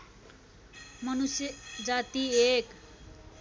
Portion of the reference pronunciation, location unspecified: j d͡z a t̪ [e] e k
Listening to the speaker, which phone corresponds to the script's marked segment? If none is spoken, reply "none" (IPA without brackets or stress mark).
i